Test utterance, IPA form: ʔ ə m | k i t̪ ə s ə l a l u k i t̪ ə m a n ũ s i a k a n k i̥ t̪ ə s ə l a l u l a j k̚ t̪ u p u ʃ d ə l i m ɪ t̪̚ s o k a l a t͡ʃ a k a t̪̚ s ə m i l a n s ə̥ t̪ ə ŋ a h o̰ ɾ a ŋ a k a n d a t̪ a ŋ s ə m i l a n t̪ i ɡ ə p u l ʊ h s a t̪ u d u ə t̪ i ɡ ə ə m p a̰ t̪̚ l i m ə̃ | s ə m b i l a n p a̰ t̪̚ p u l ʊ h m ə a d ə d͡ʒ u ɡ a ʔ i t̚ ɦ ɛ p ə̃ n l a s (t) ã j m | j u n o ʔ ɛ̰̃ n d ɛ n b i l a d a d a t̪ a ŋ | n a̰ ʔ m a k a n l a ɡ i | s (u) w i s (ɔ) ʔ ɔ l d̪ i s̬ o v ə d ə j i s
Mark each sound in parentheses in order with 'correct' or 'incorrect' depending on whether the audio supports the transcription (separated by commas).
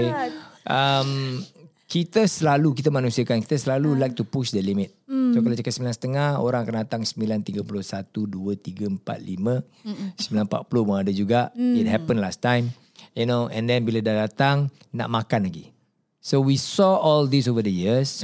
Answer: correct, incorrect, correct